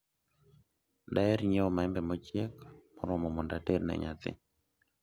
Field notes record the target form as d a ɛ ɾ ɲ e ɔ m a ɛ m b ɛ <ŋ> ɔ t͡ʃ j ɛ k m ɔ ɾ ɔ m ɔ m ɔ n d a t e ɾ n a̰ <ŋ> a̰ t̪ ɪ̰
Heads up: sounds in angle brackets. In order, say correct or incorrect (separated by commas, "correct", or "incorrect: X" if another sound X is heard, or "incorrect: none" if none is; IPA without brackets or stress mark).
incorrect: m, incorrect: ɲ